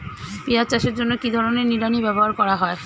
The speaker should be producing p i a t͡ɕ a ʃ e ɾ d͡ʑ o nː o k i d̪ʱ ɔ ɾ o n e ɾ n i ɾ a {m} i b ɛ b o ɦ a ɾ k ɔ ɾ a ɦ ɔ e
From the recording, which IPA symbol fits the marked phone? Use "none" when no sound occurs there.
n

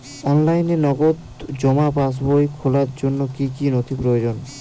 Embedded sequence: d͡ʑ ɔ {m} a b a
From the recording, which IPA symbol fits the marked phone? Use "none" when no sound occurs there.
m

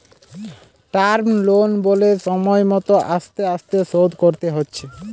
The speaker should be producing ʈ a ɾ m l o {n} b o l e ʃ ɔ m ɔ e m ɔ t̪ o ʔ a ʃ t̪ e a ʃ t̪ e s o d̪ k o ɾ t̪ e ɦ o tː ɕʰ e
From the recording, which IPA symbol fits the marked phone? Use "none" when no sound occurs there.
n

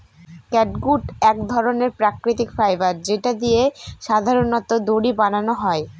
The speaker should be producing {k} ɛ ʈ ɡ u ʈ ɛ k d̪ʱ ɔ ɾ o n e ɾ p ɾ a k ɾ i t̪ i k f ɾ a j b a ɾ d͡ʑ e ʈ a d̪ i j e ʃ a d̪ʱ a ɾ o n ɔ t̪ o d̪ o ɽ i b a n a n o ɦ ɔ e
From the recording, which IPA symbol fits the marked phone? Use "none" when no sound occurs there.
k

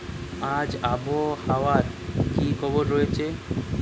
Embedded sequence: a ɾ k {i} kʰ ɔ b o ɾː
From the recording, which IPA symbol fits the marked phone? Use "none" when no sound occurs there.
i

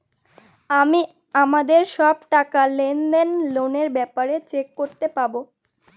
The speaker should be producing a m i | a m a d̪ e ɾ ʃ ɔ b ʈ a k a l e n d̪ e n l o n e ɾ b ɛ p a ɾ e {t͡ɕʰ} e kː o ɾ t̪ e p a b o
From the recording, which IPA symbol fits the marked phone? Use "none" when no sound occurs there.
t͡ɕ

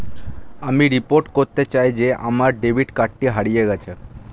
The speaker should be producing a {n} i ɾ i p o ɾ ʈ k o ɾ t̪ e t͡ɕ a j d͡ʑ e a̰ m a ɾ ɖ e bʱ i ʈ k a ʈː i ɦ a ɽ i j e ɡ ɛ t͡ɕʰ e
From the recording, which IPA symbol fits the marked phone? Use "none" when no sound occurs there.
m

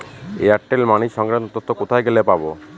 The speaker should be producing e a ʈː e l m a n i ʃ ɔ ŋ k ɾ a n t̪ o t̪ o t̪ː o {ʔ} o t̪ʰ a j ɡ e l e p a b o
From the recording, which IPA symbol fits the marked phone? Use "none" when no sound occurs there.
k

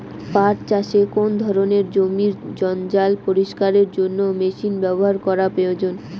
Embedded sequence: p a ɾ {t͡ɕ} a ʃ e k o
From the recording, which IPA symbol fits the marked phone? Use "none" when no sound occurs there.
t͡ɕ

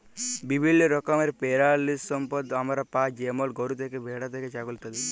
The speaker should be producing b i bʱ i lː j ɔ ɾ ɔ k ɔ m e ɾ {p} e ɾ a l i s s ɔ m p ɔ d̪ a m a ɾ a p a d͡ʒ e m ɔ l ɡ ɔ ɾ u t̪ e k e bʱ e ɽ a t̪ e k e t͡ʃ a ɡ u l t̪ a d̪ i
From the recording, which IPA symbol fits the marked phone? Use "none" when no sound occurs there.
p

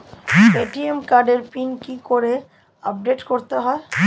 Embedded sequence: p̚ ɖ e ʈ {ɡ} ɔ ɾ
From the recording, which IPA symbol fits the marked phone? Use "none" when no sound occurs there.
k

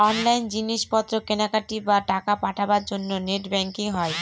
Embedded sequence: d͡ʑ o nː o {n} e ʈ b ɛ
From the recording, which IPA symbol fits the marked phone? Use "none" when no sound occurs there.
n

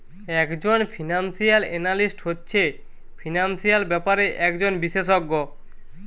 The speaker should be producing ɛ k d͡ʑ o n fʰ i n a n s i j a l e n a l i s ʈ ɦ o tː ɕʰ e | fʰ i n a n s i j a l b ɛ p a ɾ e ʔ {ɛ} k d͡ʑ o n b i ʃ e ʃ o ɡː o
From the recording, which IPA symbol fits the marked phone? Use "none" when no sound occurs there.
ɛ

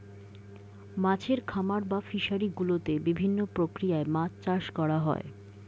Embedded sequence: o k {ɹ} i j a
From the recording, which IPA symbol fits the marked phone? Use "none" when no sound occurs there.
ɾ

